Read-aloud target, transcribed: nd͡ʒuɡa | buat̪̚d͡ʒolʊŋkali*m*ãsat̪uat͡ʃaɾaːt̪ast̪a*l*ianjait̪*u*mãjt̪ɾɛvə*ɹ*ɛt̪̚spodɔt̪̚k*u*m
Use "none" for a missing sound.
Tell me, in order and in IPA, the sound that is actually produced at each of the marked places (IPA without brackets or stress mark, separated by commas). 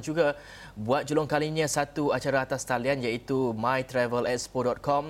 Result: ɲ, l, u, l, ɔ